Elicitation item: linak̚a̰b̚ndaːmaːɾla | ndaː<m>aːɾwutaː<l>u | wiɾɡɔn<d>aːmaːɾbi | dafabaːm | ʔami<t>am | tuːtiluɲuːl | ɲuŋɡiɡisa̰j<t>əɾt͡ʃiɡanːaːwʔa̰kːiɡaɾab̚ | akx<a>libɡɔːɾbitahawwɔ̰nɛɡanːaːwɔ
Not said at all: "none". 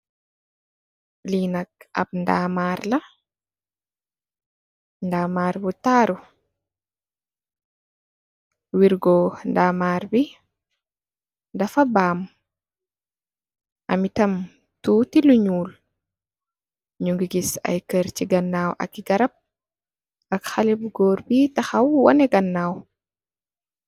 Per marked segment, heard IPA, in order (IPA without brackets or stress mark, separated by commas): m, ɾ, d, t, k, a